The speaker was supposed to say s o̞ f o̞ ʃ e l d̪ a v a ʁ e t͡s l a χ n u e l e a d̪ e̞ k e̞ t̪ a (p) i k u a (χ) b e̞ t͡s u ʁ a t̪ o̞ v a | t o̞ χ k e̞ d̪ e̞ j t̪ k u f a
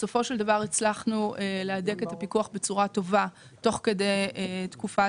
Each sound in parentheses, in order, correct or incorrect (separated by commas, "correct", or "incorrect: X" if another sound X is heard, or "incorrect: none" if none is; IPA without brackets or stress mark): correct, correct